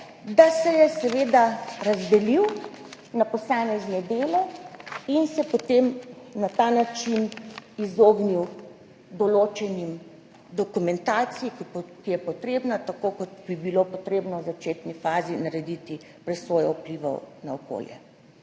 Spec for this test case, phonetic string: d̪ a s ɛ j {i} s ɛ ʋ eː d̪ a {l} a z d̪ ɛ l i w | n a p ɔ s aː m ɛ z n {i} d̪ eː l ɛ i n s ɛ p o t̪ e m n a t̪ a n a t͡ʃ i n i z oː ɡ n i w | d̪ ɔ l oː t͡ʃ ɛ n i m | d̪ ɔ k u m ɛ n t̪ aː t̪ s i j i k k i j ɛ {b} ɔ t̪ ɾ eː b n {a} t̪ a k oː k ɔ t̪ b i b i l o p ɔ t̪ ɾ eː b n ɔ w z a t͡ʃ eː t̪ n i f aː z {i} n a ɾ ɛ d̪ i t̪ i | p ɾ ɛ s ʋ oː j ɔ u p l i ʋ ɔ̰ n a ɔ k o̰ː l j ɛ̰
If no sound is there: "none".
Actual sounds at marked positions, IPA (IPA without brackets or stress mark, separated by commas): ɛ, ɾ, ɛ, p, a, i